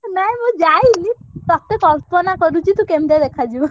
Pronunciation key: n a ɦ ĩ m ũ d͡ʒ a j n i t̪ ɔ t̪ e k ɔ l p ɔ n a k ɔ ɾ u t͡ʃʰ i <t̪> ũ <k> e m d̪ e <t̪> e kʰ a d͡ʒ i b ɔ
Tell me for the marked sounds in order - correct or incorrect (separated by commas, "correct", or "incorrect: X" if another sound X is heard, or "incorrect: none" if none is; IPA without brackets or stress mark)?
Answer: correct, correct, incorrect: d̪